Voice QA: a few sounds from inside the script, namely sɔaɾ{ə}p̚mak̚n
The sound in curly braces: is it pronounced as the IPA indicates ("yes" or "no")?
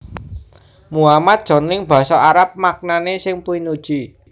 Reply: no